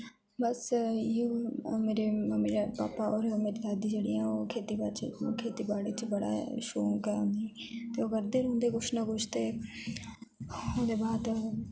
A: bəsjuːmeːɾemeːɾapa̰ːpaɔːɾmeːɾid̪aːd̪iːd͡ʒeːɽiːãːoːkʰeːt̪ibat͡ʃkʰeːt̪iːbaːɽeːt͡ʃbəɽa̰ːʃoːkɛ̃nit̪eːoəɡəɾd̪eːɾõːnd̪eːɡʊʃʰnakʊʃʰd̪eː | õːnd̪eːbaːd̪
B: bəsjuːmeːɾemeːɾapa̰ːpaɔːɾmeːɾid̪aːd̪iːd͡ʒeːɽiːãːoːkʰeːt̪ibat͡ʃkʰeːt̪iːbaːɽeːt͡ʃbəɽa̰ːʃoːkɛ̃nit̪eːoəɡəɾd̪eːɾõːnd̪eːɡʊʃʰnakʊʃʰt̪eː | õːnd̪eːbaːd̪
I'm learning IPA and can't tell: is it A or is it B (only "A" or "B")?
B